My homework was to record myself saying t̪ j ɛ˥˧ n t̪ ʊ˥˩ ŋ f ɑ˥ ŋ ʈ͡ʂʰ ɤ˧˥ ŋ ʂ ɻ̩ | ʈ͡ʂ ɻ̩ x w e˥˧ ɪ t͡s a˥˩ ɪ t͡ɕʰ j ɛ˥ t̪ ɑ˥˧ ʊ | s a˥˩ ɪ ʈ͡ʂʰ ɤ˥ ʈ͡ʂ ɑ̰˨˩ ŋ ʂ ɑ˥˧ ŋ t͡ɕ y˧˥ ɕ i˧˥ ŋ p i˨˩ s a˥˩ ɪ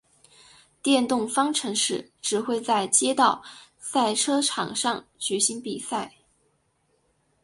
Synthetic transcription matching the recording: t̪ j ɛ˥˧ n t̪ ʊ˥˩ ŋ f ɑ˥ ŋ ʈ͡ʂʰ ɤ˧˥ ŋ ʂ ɻ̩ | ʈ͡ʂ ɻ̩ x w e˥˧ ɪ t͡s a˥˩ ɪ t͡ɕ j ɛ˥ t̪ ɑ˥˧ ʊ | s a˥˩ ɪ ʈ͡ʂʰ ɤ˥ ʈ͡ʂʰ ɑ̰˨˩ ŋ ʂ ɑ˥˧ ŋ t͡ɕ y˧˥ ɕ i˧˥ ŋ p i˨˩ s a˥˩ ɪ